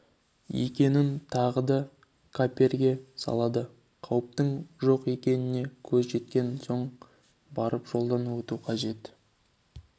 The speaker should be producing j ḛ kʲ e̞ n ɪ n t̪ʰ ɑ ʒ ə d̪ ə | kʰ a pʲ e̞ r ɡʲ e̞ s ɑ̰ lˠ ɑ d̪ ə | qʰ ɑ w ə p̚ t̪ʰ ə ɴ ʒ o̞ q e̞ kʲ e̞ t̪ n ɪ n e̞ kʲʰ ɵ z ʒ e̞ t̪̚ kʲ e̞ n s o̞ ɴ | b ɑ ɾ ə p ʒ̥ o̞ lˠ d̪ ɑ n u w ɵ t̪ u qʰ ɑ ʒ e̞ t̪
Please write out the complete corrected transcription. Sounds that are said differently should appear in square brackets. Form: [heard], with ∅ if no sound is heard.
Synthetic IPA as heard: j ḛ kʲ e̞ n ɪ n t̪ʰ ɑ [ʁ] ə d̪ [ɑ] | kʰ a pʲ e̞ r ɡʲ e̞ s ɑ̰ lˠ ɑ d̪ ə | qʰ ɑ w ə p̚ [t̪] ə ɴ ʒ o̞ q e̞ kʲ e̞ [∅] n ɪ n e̞ kʲʰ ɵ z ʒ e̞ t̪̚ kʲ e̞ n s o̞ ɴ | b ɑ ɾ ə p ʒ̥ o̞ lˠ d̪ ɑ n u w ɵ t̪ u qʰ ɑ ʒ e̞ t̪